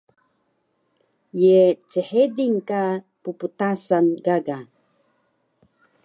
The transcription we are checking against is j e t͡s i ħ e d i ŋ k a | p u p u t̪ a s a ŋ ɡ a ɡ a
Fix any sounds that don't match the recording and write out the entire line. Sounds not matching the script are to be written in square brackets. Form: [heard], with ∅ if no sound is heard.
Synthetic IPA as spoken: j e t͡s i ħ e d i ŋ k a | p u p u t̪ a s a [n] ɡ a ɡ a